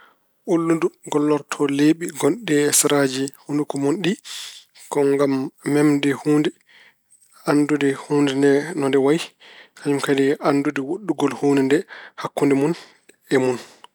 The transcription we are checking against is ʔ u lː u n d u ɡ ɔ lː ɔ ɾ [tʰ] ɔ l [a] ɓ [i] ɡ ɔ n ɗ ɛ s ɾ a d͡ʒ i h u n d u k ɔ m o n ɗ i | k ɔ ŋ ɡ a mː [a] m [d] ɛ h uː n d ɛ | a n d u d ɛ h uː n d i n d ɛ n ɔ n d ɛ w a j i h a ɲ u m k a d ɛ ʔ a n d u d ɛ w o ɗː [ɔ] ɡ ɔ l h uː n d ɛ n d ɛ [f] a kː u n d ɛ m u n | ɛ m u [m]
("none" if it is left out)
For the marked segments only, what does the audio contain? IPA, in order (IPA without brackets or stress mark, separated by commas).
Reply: tʰ, e, i, ɛ, d, u, h, n